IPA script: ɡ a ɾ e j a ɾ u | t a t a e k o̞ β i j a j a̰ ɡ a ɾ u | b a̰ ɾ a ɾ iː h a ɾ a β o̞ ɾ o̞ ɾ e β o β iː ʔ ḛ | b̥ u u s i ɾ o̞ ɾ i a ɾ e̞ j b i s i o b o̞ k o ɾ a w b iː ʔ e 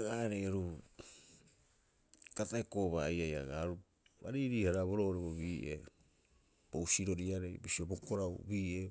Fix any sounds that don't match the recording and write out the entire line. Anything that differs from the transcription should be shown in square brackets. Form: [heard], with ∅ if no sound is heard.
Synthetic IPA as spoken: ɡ a ɾ e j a ɾ u | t a t a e k o̞ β [a] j a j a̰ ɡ a ɾ u | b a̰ ɾ [i] ɾ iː h a ɾ a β o̞ ɾ o̞ ɾ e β o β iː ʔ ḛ | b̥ [o] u s i ɾ o̞ ɾ i a ɾ e̞ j b i s i o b o̞ k o ɾ a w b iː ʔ e